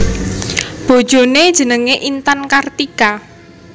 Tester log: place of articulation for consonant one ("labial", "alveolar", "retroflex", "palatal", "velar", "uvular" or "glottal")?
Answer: labial